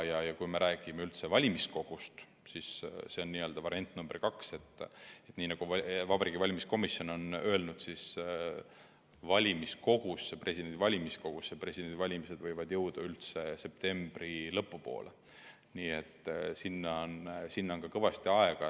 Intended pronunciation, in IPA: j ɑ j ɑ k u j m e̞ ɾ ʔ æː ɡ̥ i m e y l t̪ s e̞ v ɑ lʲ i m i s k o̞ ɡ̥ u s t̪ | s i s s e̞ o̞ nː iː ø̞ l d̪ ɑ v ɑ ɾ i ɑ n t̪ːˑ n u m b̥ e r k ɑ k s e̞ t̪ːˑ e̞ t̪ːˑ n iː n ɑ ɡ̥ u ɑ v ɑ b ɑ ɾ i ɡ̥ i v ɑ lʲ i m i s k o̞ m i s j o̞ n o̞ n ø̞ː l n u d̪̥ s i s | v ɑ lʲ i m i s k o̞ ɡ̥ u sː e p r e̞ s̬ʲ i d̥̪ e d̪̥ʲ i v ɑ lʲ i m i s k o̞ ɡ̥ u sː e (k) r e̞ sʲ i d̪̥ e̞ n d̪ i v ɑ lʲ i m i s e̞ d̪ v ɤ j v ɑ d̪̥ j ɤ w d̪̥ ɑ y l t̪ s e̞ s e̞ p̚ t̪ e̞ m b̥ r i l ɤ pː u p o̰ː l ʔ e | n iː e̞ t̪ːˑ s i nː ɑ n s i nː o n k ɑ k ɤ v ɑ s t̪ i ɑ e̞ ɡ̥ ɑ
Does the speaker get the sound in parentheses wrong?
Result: yes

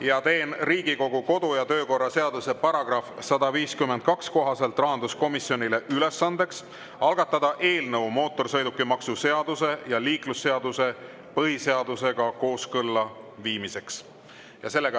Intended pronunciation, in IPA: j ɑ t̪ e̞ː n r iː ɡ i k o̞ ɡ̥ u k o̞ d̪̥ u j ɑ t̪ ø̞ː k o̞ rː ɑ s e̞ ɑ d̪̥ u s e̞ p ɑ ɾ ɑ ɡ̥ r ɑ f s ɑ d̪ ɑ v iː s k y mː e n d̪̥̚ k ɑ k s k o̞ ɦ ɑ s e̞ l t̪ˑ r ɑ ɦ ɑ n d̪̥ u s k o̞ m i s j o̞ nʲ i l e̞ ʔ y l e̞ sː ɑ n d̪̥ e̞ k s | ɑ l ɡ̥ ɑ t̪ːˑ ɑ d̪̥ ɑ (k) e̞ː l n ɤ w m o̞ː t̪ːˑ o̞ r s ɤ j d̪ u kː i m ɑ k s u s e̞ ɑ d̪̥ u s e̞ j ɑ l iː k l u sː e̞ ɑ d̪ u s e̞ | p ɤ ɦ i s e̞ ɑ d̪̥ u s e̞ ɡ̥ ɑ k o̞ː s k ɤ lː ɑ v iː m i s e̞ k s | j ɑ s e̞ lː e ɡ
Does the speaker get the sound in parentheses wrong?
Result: yes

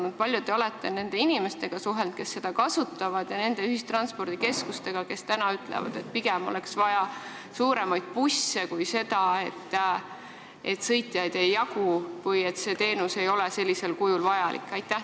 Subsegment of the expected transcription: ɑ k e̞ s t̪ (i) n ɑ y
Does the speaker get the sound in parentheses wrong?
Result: yes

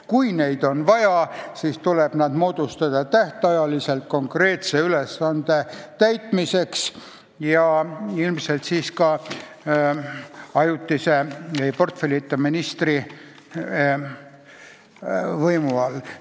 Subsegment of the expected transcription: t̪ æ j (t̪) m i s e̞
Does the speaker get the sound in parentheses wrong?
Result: no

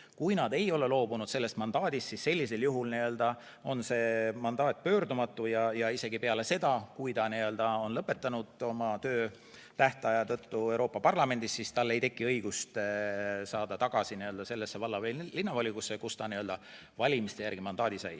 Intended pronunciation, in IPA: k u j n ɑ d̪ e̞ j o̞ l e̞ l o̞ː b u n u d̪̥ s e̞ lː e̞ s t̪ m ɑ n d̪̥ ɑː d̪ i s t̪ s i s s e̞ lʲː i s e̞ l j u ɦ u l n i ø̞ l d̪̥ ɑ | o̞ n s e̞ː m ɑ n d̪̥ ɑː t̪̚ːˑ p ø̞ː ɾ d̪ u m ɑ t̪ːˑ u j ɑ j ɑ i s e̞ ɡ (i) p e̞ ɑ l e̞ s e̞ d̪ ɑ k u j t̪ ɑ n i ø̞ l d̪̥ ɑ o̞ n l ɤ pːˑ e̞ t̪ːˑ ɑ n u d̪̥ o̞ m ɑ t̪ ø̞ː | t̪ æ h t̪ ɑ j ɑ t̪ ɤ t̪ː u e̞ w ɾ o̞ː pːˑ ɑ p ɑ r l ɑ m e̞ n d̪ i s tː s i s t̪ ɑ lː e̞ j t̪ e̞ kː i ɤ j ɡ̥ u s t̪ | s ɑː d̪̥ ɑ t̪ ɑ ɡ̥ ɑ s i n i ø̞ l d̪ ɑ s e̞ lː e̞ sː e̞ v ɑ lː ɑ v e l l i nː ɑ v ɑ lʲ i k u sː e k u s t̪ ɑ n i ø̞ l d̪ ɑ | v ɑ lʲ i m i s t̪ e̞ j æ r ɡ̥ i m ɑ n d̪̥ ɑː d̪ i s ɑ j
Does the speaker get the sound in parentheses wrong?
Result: no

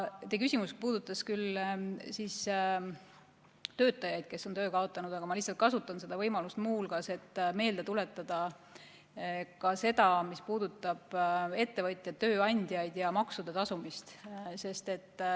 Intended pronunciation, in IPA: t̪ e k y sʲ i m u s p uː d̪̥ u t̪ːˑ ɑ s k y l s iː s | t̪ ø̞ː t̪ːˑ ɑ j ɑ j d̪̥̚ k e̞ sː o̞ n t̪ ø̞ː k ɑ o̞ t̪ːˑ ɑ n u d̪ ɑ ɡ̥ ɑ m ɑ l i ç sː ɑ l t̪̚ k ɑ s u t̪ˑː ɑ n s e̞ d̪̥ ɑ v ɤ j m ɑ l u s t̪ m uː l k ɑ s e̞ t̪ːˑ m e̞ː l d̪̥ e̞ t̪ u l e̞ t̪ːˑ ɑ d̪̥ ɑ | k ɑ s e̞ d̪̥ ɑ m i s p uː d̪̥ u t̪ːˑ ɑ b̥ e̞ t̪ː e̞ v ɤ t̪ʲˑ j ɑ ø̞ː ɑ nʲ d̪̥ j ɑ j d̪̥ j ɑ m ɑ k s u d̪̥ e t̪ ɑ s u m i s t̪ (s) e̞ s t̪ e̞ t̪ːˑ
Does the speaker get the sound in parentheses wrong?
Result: no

